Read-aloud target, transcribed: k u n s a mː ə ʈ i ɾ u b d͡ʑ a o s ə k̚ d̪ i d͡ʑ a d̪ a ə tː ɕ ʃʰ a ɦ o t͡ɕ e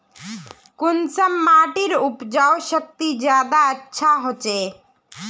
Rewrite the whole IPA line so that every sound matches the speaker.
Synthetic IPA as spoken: k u n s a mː a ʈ i ɾ u p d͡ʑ a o ʃ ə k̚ t̪ i d͡ʑ a d̪ a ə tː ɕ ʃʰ a ɦ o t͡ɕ e